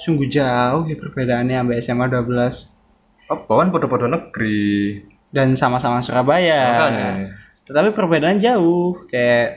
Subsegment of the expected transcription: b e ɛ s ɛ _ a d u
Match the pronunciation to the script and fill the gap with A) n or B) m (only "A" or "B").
B